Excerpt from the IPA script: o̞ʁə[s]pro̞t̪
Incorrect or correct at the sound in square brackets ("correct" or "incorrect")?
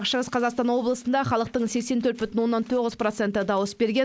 incorrect